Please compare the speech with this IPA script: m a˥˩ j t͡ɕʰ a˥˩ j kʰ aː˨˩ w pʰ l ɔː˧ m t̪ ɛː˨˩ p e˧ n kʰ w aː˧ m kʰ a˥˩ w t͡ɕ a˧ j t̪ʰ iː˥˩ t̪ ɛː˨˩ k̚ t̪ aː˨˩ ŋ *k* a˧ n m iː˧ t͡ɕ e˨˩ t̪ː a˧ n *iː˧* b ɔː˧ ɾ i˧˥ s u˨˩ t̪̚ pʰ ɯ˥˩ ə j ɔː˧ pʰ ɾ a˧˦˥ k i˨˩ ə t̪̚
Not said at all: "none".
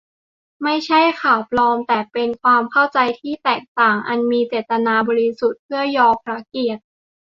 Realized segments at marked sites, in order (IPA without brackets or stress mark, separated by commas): ʔ, aː˧